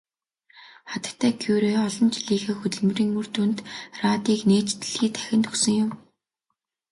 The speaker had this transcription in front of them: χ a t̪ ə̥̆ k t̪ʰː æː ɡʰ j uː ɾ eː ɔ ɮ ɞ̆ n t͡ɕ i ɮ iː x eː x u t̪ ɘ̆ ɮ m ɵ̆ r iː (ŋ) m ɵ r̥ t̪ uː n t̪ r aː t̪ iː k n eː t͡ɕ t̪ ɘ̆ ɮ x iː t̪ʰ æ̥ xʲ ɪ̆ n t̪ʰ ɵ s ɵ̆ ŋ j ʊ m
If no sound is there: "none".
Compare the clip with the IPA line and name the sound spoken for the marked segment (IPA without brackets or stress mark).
ŋ